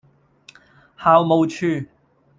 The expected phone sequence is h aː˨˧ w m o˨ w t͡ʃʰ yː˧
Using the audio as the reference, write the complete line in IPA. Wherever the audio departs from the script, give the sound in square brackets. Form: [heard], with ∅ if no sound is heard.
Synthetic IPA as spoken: h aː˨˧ w m o˨ w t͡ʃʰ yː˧